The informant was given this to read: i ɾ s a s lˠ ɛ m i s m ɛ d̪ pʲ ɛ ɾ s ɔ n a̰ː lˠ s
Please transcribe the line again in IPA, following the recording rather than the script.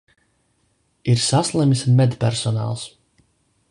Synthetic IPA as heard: i ɾ s a s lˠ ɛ m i s m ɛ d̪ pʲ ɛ ɾ s ɔ n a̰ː lˠ s